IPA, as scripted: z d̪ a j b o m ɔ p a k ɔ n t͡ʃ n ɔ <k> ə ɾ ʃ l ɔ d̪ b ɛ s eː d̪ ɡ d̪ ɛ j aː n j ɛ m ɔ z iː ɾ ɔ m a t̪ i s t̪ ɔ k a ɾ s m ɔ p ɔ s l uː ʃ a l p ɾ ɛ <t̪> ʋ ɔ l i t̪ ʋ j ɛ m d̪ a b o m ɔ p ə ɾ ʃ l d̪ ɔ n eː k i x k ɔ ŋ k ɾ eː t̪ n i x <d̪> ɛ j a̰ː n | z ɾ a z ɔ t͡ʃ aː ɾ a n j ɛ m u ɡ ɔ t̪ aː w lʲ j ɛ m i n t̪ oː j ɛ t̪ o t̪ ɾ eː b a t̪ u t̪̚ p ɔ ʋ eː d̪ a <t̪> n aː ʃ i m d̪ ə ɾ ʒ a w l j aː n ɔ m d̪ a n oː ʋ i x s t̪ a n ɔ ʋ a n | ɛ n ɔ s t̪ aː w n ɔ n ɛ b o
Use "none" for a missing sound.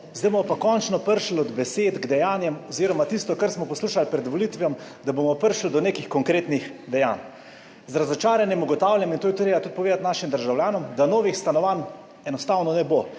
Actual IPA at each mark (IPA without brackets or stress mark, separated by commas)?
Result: p, d̪, d̪, t̪